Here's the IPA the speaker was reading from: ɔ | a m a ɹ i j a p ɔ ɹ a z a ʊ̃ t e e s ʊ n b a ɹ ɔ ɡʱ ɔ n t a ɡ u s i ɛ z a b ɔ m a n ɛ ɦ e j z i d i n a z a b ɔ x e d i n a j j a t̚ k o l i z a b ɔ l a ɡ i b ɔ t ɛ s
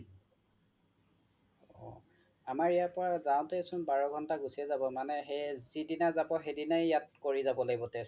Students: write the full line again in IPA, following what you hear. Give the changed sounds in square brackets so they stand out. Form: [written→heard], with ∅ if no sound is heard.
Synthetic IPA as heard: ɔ | a m a ɹ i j a p ɔ ɹ a z a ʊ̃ t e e s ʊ n b a ɹ ɔ ɡʱ ɔ n t a ɡ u s i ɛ z a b ɔ m a n ɛ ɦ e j z i d i n a z a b ɔ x e d i n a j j a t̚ k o [l→ɹ] i z a b ɔ l a ɡ i b ɔ t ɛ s

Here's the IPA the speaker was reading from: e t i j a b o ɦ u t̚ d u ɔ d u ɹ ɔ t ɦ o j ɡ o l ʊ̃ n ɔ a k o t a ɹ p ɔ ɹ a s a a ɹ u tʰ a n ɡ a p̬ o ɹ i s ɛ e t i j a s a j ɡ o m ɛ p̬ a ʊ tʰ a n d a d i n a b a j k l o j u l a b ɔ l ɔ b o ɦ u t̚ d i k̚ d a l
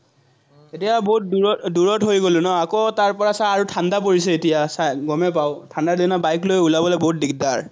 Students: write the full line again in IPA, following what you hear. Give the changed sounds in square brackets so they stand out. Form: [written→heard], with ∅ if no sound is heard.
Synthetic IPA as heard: e t i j a b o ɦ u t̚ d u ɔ d u ɹ ɔ t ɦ o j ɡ o l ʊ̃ n ɔ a k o t a ɹ p ɔ ɹ a s a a ɹ u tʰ a n [ɡ→d] a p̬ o ɹ i s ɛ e t i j a s a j ɡ [o→ɔ] m ɛ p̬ a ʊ tʰ a n d a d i n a b a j k l o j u l a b ɔ l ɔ b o ɦ u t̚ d i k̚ d a [l→ɹ]

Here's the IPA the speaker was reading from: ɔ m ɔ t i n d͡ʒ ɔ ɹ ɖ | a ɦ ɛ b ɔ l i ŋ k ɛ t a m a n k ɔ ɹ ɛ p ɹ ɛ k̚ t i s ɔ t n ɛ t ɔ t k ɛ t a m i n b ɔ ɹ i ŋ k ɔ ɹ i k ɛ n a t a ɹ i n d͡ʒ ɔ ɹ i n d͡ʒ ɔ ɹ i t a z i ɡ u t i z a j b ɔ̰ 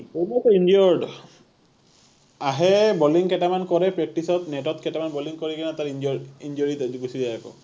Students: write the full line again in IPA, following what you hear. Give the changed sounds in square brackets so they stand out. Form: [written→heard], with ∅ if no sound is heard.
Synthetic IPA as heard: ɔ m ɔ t i n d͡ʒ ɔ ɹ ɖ | a ɦ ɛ b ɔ l i ŋ k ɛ t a m a n k ɔ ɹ ɛ p ɹ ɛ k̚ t i s ɔ t n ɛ t ɔ t k ɛ t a m [i→a] n b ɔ [ɹ→l] i ŋ k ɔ ɹ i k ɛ n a t a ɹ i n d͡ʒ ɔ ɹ i n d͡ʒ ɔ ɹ i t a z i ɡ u [t→s] i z a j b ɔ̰

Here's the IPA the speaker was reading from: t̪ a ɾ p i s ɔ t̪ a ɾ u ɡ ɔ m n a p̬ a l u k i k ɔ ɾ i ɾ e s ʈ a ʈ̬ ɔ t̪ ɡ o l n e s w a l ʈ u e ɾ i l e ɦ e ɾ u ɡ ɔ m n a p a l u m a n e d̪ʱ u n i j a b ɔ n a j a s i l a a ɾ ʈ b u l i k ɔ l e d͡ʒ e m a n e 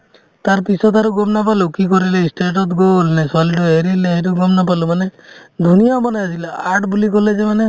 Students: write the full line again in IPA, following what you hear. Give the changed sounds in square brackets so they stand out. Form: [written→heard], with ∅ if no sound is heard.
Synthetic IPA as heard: t̪ a ɾ p i s ɔ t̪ a ɾ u ɡ ɔ m n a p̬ a l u k i k ɔ ɾ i [ɾ→l] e s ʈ [a→e] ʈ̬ ɔ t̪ ɡ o l n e s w a l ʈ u e ɾ i l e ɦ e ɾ u ɡ ɔ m n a p a l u m a n e d̪ʱ u n i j a b ɔ n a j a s i l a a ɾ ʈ b u l i k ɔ l e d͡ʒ e m a n e

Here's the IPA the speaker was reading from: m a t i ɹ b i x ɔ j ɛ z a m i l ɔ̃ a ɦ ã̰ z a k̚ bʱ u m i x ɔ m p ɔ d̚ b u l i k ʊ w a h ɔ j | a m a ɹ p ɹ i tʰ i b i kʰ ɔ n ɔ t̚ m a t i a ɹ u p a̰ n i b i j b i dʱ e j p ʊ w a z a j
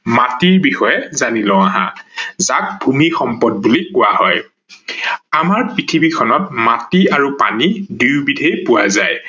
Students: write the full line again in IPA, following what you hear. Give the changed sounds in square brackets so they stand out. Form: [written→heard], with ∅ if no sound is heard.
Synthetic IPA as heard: m a t i ɹ b i x ɔ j ɛ z a [m→n] i l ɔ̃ a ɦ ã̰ z a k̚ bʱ u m i x ɔ m p ɔ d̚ b u l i k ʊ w a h ɔ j | a m a ɹ p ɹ i tʰ i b i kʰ ɔ n ɔ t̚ m a t i a ɹ u p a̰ n i [b→d] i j b i dʱ e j p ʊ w a z a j

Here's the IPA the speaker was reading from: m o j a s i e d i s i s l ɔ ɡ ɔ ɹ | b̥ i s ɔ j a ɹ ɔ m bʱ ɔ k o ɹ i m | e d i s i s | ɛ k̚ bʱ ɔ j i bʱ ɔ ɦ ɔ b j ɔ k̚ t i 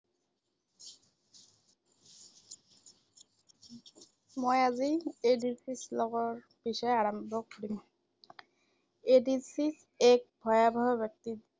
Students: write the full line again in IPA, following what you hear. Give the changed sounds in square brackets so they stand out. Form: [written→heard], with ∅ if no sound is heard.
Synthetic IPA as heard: m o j a [s→z] i e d i s i s l ɔ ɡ ɔ ɹ | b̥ i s ɔ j a ɹ ɔ m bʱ ɔ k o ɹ i m | e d i s i s | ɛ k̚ bʱ ɔ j [i→a] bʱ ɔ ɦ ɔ b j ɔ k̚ t i

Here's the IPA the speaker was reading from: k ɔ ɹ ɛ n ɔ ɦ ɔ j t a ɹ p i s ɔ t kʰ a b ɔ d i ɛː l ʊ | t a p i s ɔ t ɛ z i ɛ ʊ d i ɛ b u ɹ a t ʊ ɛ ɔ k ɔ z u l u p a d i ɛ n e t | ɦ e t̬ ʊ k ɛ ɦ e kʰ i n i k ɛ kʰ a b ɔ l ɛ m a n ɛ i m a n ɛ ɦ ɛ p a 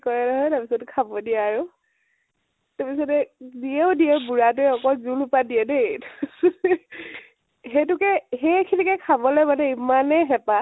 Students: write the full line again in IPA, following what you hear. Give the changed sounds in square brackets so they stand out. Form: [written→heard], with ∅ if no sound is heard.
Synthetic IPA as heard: k ɔ ɹ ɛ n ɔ ɦ ɔ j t a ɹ p i s ɔ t kʰ a b ɔ d i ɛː [l→ɹ] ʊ | t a p i s ɔ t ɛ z i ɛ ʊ d i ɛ b u ɹ a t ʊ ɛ ɔ k ɔ z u l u p a d i ɛ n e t | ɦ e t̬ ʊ k ɛ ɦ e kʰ i n i k ɛ kʰ a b ɔ l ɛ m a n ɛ i m a n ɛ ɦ ɛ p a

